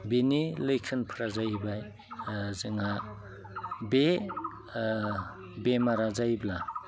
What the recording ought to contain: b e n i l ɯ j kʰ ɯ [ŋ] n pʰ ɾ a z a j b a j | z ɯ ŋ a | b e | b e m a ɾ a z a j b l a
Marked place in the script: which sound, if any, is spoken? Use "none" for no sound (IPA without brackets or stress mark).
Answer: none